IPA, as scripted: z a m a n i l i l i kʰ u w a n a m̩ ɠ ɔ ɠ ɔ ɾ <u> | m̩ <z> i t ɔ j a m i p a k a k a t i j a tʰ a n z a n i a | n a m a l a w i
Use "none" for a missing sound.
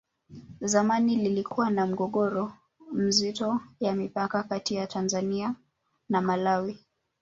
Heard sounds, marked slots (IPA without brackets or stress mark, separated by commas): ɔ, z